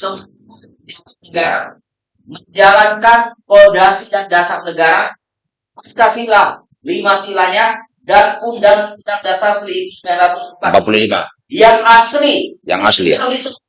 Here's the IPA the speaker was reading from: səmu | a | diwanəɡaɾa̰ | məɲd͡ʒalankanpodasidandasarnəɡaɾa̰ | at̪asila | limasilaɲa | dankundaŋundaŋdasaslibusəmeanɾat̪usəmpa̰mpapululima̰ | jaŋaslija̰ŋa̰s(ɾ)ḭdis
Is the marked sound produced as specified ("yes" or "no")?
no